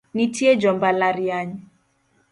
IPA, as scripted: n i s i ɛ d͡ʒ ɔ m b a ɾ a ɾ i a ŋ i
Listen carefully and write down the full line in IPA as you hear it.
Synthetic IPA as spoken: n i t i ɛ d͡ʒ ɔ m b a l a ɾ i a ɲ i

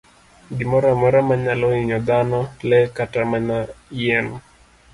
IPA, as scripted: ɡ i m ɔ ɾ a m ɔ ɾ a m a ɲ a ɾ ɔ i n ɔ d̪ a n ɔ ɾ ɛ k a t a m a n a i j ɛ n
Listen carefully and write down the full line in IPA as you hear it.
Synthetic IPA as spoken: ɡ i m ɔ ɾ a m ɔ ɾ a m a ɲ a l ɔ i ɲ ɔ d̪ a n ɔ l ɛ k a t a m a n a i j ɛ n

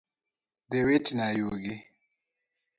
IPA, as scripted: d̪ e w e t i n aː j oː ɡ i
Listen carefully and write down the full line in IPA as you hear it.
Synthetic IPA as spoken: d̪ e w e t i n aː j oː ɡ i

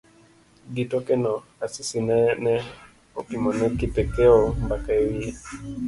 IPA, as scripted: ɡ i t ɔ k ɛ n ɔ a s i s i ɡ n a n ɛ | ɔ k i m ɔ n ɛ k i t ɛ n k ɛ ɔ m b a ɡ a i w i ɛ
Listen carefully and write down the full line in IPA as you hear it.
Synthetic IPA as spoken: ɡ i t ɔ k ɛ n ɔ a s i s i n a n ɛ | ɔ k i m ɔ n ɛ k i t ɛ k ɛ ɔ m b a k a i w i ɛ

